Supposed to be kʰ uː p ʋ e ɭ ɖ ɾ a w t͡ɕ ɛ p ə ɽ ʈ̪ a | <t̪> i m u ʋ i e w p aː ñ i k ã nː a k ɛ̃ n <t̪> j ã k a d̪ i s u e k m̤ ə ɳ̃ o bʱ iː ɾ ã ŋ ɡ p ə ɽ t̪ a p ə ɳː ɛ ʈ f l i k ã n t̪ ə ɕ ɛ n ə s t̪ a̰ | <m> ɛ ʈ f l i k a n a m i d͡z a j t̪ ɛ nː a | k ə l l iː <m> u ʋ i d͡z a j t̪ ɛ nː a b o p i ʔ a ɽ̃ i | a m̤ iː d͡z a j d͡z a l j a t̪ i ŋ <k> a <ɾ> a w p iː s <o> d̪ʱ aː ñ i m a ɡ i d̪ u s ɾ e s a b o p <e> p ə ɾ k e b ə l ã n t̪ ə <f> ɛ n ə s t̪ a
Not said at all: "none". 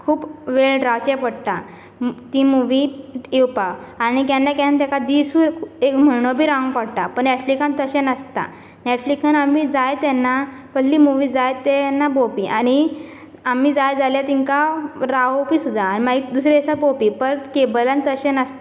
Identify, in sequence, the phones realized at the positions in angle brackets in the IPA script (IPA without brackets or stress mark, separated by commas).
t̪, t̪, n, m, k, ɾ, u, i, ɕ